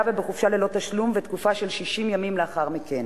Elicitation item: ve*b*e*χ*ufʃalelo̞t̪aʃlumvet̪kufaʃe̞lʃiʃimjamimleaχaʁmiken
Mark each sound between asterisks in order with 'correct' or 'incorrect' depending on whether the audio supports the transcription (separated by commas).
correct, correct